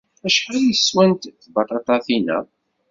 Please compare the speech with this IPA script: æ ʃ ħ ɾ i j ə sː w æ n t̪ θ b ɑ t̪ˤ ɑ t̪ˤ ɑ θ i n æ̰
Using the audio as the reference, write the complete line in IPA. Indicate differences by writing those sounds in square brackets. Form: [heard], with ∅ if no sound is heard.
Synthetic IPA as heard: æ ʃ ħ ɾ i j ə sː w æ n t̪ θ b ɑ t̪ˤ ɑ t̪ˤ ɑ θ i n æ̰